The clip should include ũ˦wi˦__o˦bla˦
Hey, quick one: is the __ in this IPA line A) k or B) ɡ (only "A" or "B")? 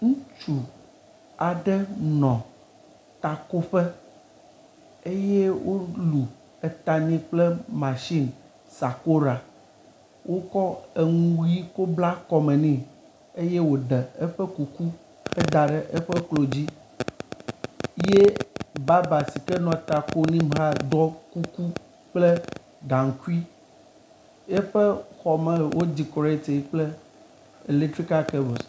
A